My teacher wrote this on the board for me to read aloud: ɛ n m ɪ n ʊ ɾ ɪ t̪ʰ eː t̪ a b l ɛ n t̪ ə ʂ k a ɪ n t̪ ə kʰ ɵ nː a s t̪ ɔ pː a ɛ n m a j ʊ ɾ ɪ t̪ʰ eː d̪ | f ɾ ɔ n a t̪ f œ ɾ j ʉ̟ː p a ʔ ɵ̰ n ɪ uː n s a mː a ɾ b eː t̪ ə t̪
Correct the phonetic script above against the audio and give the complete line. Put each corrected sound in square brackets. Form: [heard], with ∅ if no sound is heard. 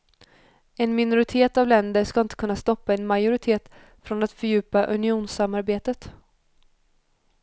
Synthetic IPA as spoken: ɛ n m ɪ n ʊ ɾ ɪ t̪ʰ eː t̪ a [v] l ɛ n [d̪] ə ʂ k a ɪ n t̪ ə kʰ ɵ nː a s t̪ ɔ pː a ɛ n m a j ʊ ɾ ɪ t̪ʰ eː [t̪] | f ɾ ɔ n a t̪ f œ ɾ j ʉ̟ː p a ʔ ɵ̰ n ɪ uː n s a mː a ɾ b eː t̪ ə t̪

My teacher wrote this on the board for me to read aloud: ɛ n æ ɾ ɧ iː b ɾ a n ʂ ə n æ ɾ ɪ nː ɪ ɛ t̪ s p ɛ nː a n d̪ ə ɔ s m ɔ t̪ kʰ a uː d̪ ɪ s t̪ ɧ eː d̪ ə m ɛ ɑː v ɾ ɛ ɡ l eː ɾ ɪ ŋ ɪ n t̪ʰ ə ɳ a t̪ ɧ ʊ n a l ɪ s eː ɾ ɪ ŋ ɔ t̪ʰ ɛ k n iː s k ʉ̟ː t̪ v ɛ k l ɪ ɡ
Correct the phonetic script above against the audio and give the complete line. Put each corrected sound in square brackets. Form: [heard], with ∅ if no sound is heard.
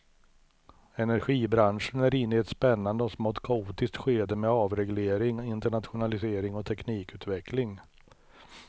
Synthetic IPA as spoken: ɛ n æ ɾ ɧ iː b ɾ a n ʂ ə n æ ɾ ɪ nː ɪ ɛ t̪ s p ɛ nː a n d̪ ə ɔ s m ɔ t̪ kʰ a uː [t̪] ɪ s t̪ ɧ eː d̪ ə m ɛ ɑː v ɾ ɛ ɡ l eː ɾ ɪ ŋ ɪ n [t̪] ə ɳ a t̪ ɧ ʊ n a l ɪ s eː ɾ ɪ ŋ ɔ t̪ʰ ɛ k n iː [∅] k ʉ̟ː t̪ v ɛ k l ɪ [ŋ]

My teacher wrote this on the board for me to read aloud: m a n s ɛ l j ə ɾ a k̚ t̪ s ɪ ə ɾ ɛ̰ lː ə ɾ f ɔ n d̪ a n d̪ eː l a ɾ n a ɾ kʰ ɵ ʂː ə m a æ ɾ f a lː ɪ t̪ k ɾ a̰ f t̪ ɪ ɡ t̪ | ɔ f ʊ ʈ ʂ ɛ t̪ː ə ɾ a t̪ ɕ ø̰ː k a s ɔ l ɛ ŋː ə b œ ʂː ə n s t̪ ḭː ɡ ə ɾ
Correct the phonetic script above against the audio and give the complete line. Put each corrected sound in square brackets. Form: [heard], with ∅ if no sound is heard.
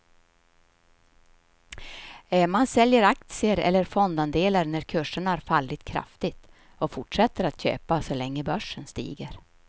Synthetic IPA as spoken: m a n s ɛ l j ə ɾ a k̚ t̪ s ɪ ə ɾ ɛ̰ lː ə ɾ f ɔ n d̪ a n d̪ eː l a ɾ n [æ] ɾ kʰ ɵ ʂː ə [ɳ] a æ ɾ f a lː ɪ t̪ [kʰ] ɾ a̰ f t̪ ɪ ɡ t̪ | ɔ f ʊ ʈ ʂ ɛ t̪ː ə ɾ a t̪ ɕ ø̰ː [p] a s ɔ l ɛ ŋː ə b œ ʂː ə n s t̪ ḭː ɡ ə ɾ

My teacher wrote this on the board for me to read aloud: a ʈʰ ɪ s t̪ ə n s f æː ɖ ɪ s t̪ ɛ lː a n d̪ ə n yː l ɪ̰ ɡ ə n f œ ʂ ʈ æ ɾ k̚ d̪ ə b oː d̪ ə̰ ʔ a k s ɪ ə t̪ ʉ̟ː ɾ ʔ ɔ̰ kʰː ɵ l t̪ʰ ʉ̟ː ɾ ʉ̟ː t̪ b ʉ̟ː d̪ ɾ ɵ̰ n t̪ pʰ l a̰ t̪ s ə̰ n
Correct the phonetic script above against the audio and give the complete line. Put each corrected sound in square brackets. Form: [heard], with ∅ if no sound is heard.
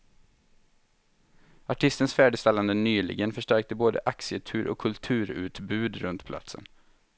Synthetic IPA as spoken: a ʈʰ ɪ s t̪ ə n s f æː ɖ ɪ s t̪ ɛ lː a n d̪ ə n yː l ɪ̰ ɡ ə n f œ ʂ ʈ æ ɾ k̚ [t̪] ə b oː d̪ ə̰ ʔ a k s ɪ ə [t̪ʰ] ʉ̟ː ɾ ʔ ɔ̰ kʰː ɵ l t̪ʰ ʉ̟ː ɾ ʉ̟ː t̪ b ʉ̟ː d̪ ɾ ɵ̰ n t̪ pʰ l a̰ t̪ s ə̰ n

